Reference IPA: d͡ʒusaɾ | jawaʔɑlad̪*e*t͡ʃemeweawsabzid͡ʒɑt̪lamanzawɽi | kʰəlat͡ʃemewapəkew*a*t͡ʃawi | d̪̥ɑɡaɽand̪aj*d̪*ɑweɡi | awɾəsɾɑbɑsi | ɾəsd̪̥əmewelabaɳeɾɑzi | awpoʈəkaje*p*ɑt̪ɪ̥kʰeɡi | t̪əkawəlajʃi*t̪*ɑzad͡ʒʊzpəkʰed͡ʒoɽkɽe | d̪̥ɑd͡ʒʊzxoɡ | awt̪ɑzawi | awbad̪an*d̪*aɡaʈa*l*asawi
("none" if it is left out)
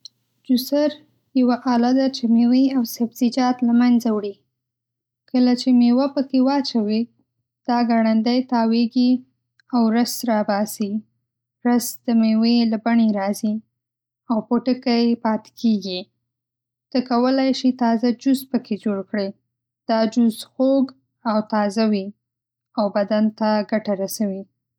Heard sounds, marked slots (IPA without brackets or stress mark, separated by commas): a, ɑ, t̪, p, t̪, t̪, ɾ